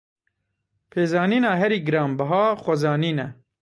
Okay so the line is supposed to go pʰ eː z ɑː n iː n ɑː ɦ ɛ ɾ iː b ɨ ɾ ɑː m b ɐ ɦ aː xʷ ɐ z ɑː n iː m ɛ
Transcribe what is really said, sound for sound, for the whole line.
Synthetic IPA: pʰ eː z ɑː n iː n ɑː ɦ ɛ ɾ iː ɡ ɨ ɾ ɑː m b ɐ ɦ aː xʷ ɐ z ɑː n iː n ɛ